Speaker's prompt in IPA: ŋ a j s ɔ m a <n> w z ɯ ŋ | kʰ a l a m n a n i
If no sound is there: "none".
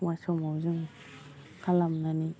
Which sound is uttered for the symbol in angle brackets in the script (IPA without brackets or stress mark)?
none